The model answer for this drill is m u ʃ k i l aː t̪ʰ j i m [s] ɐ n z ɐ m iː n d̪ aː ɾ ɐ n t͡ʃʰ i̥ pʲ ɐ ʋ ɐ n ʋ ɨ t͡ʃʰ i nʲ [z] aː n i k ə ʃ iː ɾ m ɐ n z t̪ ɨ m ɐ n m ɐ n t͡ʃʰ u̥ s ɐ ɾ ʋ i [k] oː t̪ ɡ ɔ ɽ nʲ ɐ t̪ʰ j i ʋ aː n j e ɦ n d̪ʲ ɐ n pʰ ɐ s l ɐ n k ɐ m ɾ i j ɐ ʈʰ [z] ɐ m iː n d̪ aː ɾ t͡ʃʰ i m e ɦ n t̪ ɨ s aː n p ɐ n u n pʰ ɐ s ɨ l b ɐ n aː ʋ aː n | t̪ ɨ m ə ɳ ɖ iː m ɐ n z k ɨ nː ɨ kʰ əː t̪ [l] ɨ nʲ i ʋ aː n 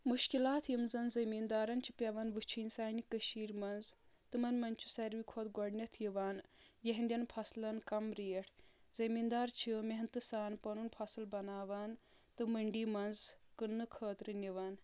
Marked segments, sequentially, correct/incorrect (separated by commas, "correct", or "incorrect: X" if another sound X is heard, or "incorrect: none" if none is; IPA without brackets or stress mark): incorrect: z, incorrect: s, incorrect: kʰ, correct, incorrect: ɾ